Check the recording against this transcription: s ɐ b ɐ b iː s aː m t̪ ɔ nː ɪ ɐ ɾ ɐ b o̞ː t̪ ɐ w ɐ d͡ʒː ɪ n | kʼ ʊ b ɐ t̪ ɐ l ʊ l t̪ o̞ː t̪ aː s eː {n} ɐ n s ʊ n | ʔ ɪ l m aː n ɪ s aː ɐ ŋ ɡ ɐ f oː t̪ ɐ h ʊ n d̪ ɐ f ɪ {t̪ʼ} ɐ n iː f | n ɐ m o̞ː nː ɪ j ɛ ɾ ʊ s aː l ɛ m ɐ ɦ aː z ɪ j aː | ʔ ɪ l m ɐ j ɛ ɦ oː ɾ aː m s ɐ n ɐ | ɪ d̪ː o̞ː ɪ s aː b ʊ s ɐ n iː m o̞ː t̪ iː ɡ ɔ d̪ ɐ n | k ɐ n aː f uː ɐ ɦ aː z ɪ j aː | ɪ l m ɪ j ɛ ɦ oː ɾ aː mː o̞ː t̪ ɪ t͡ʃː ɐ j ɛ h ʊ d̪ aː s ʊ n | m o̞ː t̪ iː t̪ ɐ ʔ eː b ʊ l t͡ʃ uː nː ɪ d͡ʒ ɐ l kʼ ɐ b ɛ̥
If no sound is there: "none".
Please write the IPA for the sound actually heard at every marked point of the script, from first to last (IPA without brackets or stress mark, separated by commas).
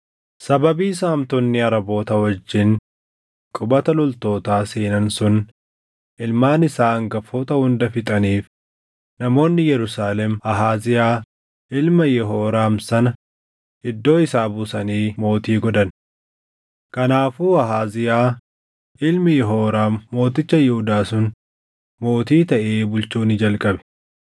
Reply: n, t̪ʼ